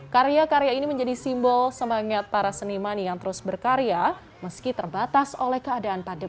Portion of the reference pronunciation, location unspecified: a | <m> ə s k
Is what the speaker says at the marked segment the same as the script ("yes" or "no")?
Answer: yes